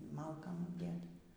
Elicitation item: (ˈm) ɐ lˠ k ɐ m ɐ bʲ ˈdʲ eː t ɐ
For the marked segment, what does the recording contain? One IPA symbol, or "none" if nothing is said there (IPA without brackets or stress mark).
m